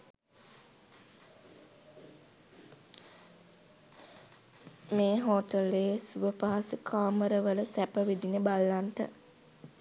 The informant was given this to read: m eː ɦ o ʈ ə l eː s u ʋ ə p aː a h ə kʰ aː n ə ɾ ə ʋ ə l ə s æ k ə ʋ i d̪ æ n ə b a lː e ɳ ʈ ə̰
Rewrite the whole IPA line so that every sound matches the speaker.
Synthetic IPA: m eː ɦ o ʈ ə l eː s u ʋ ə p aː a s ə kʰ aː m ə ɾ ə ʋ ə l ə s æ p ə ʋ i d̪ i n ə b a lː a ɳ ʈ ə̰